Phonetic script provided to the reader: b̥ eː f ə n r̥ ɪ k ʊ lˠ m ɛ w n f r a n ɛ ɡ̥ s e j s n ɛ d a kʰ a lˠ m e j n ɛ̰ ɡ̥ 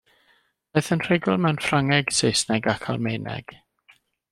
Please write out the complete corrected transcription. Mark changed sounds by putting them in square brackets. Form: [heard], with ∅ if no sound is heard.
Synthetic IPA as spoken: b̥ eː [θ] ə n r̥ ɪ [ɡ] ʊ lˠ m ɛ w n f r a [ŋ] ɛ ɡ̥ s e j s n ɛ [ɡ] a kʰ a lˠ m e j n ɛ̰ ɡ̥